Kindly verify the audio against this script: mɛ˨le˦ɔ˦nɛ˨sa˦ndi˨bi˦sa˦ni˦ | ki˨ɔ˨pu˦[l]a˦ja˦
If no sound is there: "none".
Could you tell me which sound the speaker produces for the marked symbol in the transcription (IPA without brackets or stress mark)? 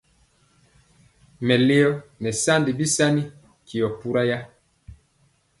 ɾ